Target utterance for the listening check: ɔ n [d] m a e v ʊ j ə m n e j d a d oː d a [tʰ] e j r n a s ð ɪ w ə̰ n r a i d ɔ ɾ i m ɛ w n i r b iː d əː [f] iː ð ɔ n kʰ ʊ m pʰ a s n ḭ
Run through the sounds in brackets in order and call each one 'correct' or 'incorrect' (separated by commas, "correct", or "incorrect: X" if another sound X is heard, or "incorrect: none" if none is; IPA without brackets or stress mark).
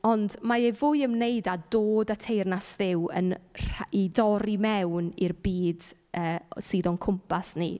correct, correct, incorrect: s